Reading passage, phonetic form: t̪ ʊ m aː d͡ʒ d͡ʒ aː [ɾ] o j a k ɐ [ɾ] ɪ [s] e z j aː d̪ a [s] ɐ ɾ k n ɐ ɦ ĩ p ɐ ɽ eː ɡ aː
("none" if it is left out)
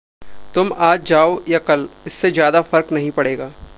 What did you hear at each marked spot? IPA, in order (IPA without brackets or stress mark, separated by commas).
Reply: none, l, sː, f